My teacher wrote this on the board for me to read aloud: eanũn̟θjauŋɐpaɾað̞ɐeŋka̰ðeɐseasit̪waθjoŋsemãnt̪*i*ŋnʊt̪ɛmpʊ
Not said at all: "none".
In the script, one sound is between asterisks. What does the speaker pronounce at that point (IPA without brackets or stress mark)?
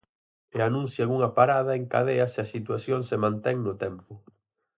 ɛ